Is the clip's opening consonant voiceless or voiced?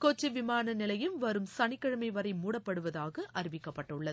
voiceless